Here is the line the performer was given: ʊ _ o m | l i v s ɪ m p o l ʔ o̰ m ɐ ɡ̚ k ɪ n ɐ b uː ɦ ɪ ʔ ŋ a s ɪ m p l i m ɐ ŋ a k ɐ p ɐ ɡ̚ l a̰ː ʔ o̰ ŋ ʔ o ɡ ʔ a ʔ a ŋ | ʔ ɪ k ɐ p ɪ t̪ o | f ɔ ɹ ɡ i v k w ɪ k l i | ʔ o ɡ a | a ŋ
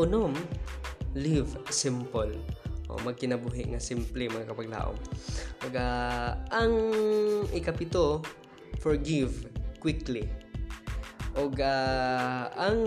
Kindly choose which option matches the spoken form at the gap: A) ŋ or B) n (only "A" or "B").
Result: B